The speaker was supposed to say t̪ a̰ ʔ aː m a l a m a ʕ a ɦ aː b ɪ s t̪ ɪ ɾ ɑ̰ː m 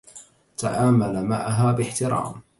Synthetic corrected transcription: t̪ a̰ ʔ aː m a l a m a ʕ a ɦ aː b ɪ ħ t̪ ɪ ɾ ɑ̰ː m